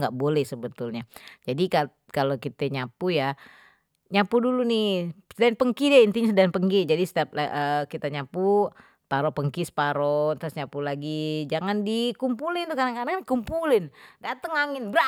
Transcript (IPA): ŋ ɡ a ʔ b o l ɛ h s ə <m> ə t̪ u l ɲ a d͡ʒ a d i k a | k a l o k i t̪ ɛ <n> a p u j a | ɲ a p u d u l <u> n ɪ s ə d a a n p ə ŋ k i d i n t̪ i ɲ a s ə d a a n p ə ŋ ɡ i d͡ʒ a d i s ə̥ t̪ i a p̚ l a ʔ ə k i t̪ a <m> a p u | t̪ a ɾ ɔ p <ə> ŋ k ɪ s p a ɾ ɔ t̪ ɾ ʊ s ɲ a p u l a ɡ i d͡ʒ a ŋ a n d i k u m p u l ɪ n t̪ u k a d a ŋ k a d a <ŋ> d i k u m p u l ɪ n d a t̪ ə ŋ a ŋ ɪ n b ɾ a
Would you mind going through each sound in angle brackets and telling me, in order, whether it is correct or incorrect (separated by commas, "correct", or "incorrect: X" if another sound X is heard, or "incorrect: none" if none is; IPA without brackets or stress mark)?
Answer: incorrect: b, incorrect: ɲ, correct, incorrect: ɲ, correct, correct